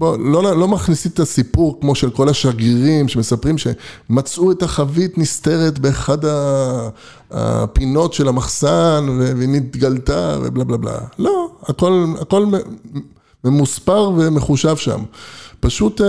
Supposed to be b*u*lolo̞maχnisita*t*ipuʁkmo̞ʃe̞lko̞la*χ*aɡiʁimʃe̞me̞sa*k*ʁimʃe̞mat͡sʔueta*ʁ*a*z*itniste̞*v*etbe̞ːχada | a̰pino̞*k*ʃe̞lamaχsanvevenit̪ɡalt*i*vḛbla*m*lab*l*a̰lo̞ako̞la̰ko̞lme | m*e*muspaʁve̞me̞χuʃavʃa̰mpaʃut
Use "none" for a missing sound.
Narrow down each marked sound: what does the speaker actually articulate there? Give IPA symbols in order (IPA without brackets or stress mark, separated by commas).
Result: o, s, ʃ, p, χ, v, ʁ, t, a, b, l, e